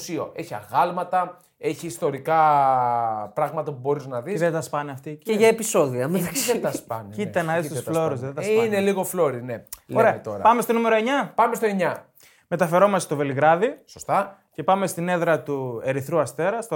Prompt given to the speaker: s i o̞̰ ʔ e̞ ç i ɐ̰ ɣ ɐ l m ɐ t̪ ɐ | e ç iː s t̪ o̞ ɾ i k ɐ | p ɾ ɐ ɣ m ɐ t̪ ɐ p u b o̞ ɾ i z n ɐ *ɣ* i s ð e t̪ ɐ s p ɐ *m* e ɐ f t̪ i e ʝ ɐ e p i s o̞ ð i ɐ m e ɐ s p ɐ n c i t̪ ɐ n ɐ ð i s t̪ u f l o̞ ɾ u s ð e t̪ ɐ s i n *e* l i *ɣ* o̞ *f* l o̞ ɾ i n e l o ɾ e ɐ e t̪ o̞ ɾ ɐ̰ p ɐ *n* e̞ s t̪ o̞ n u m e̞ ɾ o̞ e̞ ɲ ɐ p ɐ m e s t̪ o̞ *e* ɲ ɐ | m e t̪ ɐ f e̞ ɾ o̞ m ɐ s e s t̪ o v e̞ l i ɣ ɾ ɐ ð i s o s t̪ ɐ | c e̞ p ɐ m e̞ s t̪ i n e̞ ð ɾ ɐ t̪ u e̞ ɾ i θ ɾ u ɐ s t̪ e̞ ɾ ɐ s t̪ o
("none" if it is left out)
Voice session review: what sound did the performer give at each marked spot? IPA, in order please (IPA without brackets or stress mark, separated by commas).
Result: ð, n, e, ɣ, f, m, e